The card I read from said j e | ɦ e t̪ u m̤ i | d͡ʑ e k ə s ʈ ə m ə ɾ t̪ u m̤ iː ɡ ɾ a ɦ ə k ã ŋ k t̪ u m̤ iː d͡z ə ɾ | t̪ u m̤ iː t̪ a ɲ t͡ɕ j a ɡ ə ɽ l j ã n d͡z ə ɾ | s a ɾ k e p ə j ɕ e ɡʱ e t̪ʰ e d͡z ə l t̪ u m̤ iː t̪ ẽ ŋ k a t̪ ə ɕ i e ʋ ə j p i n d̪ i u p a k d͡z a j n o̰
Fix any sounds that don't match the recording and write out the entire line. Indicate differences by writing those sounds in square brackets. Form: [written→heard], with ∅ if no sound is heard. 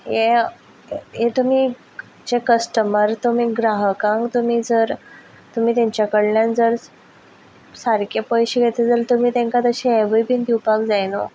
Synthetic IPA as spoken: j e | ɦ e t̪ u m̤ i | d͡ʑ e k ə s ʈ ə m ə ɾ t̪ u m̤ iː ɡ ɾ a ɦ ə k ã ŋ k t̪ u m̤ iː d͡z ə ɾ | t̪ u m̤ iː t̪ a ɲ t͡ɕ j a [ɡ→k] ə ɽ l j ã n d͡z ə ɾ | s a ɾ k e p ə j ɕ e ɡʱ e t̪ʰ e d͡z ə l t̪ u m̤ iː t̪ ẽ ŋ k a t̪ ə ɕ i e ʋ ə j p i n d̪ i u p a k d͡z a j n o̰